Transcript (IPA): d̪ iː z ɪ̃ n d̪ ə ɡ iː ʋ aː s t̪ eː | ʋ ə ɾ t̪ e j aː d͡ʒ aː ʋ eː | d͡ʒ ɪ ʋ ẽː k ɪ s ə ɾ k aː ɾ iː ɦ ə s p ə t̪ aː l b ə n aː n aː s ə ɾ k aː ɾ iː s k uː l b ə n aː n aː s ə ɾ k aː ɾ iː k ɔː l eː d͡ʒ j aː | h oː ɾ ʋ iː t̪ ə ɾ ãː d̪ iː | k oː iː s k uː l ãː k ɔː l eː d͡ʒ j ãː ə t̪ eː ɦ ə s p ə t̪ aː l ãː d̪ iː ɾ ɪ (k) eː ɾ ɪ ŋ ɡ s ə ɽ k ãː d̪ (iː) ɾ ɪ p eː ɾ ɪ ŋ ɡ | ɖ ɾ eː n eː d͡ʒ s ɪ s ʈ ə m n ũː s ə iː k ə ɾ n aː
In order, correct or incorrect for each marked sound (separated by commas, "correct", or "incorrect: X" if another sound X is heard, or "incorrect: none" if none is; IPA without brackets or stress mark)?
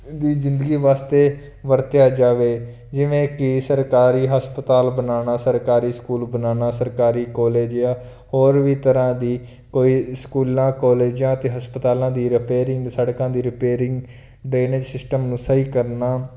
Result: incorrect: p, correct